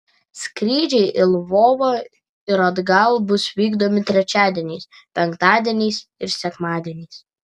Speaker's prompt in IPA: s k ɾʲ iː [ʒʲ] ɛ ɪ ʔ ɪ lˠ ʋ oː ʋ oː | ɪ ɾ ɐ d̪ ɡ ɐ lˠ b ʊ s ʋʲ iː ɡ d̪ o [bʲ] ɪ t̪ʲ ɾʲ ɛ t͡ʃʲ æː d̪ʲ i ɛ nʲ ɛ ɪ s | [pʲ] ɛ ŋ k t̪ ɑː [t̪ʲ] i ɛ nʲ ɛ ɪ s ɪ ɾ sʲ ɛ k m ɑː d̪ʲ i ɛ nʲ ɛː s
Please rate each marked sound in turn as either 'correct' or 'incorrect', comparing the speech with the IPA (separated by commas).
incorrect, incorrect, correct, incorrect